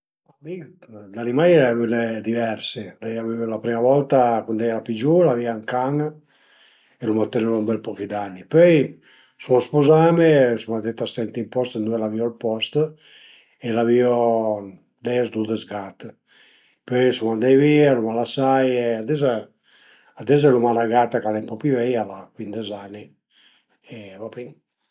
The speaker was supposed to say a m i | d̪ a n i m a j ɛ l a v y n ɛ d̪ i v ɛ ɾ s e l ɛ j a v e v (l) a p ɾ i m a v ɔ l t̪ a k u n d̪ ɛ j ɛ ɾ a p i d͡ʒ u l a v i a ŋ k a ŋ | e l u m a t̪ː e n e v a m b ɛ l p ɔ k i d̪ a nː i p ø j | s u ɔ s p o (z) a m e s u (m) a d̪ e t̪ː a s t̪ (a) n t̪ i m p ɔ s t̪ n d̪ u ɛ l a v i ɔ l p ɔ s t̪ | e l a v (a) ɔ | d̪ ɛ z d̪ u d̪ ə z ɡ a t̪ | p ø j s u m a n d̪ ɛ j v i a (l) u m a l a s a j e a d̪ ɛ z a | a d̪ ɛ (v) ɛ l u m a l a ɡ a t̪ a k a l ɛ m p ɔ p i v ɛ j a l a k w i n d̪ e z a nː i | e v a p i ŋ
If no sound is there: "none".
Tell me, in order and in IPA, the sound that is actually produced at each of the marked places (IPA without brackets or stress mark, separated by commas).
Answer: l, z, m, ɛ, i, l, z